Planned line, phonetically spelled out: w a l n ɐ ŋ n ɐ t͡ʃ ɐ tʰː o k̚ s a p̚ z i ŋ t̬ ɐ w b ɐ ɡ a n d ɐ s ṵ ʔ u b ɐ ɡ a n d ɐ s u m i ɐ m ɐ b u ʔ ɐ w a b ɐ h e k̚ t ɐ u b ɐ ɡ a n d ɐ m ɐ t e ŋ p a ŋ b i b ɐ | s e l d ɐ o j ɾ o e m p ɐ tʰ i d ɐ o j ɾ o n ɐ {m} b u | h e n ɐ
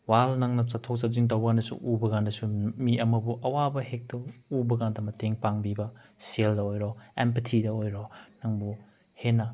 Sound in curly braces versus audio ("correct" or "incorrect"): incorrect